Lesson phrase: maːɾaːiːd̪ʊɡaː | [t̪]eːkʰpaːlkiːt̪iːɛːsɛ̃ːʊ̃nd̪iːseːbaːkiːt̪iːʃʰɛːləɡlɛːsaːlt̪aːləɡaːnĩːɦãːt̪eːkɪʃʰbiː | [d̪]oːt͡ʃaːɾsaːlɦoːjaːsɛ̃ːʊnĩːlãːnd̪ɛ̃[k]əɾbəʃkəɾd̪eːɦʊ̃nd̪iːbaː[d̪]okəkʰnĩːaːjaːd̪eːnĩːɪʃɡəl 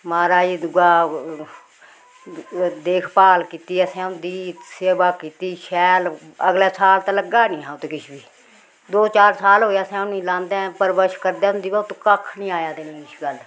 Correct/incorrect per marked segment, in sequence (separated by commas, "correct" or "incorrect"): incorrect, correct, incorrect, incorrect